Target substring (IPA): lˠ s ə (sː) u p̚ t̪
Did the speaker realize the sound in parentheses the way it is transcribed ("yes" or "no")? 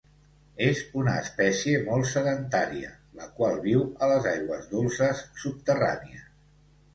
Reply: yes